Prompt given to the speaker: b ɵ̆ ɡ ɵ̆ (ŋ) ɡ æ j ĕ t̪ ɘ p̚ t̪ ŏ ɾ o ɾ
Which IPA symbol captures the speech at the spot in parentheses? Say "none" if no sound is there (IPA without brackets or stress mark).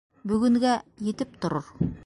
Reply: ŋ